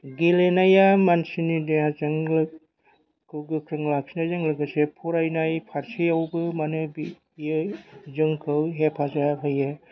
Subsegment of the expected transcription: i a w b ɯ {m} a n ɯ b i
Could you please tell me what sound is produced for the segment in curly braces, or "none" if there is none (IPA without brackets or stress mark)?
m